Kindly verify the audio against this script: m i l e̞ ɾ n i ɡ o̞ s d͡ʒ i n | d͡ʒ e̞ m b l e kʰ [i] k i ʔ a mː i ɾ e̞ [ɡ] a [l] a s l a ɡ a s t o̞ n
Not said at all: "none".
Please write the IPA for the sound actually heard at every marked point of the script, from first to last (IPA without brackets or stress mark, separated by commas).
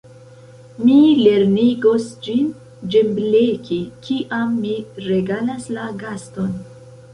i, ɡ, l